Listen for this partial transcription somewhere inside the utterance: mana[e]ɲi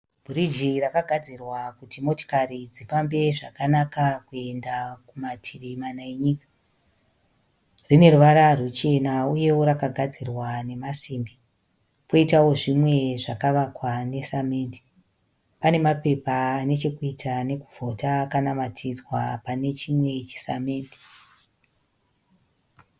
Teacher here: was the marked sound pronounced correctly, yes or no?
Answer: yes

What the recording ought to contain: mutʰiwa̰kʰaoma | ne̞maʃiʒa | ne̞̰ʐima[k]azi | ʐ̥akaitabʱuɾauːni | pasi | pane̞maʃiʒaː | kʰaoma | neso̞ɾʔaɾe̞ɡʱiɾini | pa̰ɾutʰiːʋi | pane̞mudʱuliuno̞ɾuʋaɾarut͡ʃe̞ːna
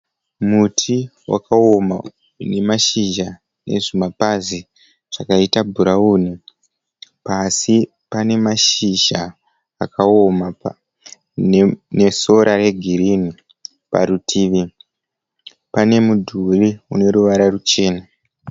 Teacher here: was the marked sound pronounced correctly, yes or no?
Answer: no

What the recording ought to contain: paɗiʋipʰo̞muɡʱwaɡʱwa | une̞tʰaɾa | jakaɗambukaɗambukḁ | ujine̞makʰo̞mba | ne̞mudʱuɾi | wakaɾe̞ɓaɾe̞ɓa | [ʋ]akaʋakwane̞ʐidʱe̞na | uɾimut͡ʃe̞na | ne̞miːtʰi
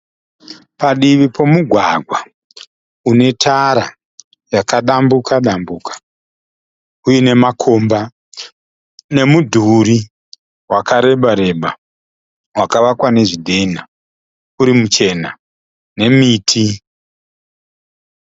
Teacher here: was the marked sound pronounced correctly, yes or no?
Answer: no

